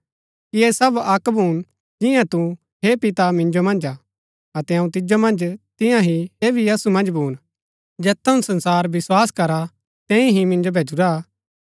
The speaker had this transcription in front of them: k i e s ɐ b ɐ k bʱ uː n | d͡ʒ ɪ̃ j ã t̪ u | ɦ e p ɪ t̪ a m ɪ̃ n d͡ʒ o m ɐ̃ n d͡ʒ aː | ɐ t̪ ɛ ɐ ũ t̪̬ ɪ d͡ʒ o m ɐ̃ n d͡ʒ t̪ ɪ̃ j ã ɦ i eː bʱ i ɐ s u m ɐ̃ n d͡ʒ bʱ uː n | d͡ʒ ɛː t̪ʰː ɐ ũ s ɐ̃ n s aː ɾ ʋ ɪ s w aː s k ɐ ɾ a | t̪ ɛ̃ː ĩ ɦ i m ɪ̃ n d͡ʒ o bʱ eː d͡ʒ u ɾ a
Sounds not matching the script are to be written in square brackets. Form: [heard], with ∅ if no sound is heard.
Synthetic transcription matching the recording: k i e s ɐ b ɐ k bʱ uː n | d͡ʒ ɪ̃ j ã t̪ u | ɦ e p ɪ t̪ a m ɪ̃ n d͡ʒ o m ɐ̃ n d͡ʒ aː | ɐ t̪ ɛ ɐ ũ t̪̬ ɪ d͡ʒ o m ɐ̃ n d͡ʒ t̪ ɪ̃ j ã ɦ i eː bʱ i ɐ s u m ɐ̃ n d͡ʒ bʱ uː n | d͡ʒ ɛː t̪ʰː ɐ ũ s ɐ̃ n s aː ɾ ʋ ɪ s w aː s k ɐ ɾ a | t̪ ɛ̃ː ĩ ɦ i m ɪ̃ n d͡ʒ o bʱ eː d͡ʒ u ɾ a